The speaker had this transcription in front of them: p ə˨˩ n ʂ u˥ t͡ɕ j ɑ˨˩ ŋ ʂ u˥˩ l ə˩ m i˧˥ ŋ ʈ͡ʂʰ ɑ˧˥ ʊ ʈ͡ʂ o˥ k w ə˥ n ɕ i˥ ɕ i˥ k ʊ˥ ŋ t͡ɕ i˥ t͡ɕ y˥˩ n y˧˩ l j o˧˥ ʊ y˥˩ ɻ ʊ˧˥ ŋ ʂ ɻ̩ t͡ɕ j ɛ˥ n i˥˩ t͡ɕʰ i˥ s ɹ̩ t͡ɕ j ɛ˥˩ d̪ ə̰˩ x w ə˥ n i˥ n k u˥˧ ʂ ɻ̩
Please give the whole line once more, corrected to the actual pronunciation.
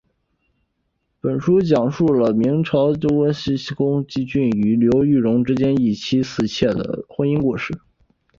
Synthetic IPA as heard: p ə˨˩ n ʂ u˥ t͡ɕ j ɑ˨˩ ŋ ʂ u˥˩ l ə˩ m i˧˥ ŋ ʈ͡ʂʰ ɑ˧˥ ʊ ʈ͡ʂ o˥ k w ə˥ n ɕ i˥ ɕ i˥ k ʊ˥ ŋ t͡ɕ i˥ t͡ɕ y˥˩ n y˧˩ l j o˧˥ ʊ y˥˩ ɻ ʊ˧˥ ŋ ʈ͡ʂ ɻ̩ t͡ɕ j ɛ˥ n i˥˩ t͡ɕʰ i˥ s ɹ̩ t͡ɕʰ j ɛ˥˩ d̪ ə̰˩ x w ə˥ n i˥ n k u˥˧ ʂ ɻ̩

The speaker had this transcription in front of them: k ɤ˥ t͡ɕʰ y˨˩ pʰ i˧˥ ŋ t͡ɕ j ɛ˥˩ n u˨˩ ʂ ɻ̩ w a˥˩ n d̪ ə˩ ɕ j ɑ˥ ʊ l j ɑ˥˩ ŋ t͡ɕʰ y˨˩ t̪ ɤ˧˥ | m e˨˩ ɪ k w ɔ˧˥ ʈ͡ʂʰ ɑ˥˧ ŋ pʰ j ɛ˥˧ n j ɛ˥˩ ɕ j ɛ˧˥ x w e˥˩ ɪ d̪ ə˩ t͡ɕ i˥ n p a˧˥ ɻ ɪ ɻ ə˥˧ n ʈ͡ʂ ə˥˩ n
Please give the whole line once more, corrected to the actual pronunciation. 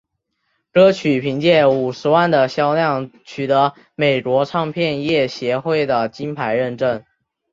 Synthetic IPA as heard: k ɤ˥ t͡ɕʰ y˨˩ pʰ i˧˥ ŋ t͡ɕ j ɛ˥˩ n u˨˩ ʂ ɻ̩ w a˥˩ n d̪ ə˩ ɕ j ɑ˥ ʊ l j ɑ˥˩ ŋ t͡ɕʰ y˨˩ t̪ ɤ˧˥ | m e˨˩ ɪ k w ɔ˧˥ ʈ͡ʂʰ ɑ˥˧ ŋ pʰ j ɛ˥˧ n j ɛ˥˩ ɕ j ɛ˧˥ x w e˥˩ ɪ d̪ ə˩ t͡ɕ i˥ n pʰ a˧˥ ɪ ɻ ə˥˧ n ʈ͡ʂ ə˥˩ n

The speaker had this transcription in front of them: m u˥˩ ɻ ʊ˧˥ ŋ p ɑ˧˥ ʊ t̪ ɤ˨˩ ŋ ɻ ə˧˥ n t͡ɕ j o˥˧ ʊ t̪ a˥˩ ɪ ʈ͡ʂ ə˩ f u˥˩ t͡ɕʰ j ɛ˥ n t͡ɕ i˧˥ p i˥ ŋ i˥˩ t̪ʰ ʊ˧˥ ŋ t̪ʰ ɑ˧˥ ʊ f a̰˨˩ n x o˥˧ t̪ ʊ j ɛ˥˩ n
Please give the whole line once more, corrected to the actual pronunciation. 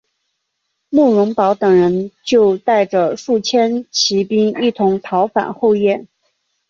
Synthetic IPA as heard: m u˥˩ ɻ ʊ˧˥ ŋ p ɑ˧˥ ʊ t̪ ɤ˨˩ ŋ ɻ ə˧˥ n t͡ɕ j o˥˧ ʊ t̪ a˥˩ ɪ ʈ͡ʂ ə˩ ʂ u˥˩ t͡ɕʰ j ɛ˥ n t͡ɕʰ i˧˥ p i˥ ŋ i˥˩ t̪ʰ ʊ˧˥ ŋ t̪ʰ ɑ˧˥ ʊ f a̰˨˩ n x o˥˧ ʊ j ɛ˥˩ n

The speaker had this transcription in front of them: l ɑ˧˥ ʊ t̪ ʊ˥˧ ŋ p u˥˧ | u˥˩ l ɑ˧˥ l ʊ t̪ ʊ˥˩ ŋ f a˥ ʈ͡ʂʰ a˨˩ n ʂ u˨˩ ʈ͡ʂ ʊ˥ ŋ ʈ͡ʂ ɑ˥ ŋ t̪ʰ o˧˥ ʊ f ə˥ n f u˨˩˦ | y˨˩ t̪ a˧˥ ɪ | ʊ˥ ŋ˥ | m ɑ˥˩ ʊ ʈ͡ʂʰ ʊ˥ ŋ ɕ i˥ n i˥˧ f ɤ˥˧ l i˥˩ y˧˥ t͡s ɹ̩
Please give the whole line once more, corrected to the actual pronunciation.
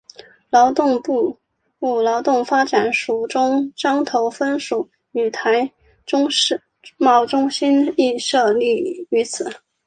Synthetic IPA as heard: l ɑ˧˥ ʊ t̪ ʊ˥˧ ŋ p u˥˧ | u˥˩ l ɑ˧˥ ʊ t̪ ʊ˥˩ ŋ f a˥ ʈ͡ʂ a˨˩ n ʂ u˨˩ ʈ͡ʂ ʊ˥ ŋ ʈ͡ʂ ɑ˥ ŋ t̪ʰ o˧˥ ʊ f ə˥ n ʂ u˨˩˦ | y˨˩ t̪ʰ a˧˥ ɪ | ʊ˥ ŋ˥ | m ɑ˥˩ ʊ ʈ͡ʂ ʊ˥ ŋ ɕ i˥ n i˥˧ ʂ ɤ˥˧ l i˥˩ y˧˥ t͡sʰ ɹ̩

